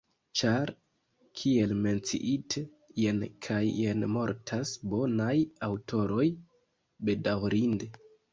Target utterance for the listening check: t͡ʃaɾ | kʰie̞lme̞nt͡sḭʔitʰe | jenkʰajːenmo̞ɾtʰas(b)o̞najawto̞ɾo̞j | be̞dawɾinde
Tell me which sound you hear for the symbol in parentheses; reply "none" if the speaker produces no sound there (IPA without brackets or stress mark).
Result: b